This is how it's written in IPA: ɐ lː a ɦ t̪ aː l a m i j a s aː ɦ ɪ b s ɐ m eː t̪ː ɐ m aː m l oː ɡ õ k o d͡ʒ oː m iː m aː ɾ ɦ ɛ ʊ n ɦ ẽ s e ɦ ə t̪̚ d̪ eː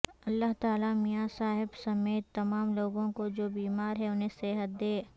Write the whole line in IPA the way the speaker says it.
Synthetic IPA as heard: ɐ lː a ɦ t̪ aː l a m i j a s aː ɦ ɪ b s ɐ m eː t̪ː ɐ m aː m l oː ɡ õ k o d͡ʒ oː b iː m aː ɾ ɦ ɛ ʊ n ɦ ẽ s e ɦ ə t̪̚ d̪ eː

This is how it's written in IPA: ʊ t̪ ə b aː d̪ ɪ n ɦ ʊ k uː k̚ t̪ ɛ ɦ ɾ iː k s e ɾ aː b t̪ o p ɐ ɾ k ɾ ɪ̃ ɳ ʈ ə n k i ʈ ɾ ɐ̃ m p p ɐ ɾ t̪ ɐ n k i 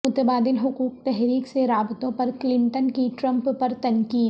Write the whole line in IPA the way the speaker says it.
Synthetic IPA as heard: ʊ t̪ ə b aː d̪ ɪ n ɦ ʊ k uː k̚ t̪ ɛ ɦ ɾ iː k s e ɾ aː b t̪ õ p ɐ ɾ k l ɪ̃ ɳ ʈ ə n k i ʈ ɾ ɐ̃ m p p ɐ ɾ t̪ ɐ n k iː

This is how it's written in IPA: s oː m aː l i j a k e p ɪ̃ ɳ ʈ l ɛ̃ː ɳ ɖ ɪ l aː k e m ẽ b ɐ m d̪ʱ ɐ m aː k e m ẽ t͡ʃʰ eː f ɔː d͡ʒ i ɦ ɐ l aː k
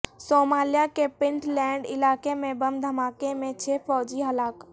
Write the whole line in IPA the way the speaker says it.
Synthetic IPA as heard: s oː m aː l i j a k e p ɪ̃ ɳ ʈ l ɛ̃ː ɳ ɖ ɪ l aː k e m ẽ b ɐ m d̪ʱ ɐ m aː k e m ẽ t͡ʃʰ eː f ɔː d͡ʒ i ɦ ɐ l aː k

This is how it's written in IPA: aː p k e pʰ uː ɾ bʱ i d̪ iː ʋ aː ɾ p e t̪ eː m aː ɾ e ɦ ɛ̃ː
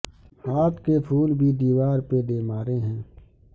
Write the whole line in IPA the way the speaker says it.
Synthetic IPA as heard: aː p k e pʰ uː l bʱ i d̪ iː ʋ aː ɾ p e d̪ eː m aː ɾ e ɦ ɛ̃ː

